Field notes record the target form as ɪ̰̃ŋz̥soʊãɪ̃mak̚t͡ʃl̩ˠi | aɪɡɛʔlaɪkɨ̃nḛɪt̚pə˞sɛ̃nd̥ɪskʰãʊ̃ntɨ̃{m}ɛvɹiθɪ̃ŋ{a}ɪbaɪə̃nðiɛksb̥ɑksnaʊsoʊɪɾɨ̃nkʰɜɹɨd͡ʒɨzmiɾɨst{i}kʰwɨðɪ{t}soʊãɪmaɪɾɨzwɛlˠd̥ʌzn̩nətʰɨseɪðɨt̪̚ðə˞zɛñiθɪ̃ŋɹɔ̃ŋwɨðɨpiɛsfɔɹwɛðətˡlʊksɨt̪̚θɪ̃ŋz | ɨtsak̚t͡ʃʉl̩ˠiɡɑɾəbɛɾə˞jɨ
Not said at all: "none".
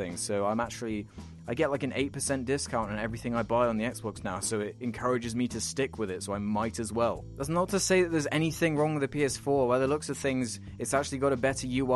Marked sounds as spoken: n, a, ɪ, t

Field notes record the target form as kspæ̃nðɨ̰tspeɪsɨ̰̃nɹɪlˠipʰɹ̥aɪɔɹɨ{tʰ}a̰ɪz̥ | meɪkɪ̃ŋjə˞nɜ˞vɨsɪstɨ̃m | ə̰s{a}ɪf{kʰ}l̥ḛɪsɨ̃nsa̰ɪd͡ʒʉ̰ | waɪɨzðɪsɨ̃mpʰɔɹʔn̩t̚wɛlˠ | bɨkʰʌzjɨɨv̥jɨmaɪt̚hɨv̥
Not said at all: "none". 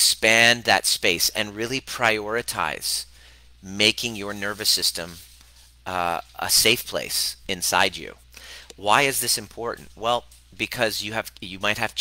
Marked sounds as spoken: tʰ, e, pʰ

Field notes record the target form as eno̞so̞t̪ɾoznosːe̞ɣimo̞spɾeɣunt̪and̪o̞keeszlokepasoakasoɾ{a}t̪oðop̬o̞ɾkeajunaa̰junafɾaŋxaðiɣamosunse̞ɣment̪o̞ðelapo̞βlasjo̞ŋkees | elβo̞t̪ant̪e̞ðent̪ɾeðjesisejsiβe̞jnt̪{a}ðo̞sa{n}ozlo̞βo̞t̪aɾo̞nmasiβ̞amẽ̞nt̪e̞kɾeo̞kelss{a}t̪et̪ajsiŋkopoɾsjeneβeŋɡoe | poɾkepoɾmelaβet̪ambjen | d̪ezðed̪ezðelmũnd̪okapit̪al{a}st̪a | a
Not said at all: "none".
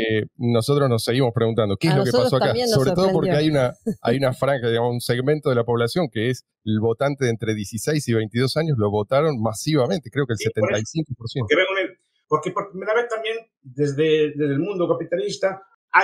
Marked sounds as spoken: e, i, ɲ, e, i

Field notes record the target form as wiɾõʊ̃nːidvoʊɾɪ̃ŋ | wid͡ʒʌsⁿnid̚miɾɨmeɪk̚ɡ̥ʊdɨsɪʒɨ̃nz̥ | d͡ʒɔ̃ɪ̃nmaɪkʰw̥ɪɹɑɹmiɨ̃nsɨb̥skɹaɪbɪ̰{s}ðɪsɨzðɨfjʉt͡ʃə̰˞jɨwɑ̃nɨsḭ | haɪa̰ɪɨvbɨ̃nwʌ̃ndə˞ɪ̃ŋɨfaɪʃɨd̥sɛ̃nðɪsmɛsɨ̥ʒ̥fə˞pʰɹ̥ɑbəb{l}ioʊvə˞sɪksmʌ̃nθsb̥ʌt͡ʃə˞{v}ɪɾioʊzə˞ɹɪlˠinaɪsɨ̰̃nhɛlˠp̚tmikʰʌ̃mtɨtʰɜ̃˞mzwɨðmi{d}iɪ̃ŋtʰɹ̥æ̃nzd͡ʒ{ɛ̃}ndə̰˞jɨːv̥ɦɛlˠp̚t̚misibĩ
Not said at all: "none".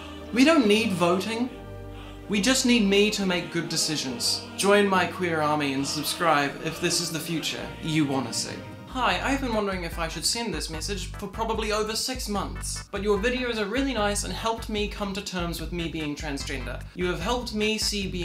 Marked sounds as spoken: f, l, v, b, ɛ̃

